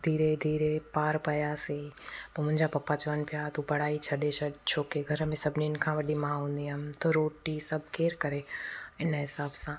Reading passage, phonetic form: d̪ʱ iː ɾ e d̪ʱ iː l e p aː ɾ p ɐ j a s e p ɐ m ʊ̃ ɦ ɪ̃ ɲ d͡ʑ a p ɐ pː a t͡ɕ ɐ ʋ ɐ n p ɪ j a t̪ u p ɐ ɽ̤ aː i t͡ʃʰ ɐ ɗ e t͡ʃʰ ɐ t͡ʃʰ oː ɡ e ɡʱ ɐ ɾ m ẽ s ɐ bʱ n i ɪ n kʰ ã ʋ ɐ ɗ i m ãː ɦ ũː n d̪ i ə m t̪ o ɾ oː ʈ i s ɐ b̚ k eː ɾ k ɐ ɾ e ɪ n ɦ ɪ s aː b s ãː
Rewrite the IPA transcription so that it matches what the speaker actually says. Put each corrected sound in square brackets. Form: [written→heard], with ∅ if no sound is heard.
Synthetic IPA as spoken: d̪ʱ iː ɾ e d̪ʱ iː [l→ɾ] e p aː ɾ p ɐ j a s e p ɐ m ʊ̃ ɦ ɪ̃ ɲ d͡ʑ a p ɐ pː a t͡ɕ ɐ ʋ [ɐ→ə] n p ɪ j a t̪ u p ɐ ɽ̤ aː i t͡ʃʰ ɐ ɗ e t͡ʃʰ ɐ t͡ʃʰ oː [ɡ→k] e ɡʱ ɐ ɾ m ẽ s ɐ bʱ n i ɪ n kʰ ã ʋ ɐ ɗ i m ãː ɦ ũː n d̪ i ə m t̪ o ɾ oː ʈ i s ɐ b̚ k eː ɾ k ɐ ɾ e ɪ n ɦ ɪ s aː b s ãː